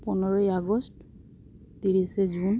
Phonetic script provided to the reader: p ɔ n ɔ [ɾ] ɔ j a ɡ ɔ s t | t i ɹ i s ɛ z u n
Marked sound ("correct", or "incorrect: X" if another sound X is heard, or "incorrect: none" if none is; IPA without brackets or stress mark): incorrect: ɹ